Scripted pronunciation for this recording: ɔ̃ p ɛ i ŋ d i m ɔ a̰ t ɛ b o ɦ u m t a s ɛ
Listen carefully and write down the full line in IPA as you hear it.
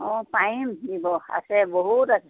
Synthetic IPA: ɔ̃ p a i m d i b ɔ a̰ s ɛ b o ɦ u t a s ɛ